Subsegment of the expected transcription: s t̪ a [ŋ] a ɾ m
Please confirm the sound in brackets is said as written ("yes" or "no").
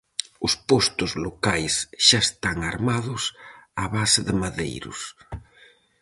yes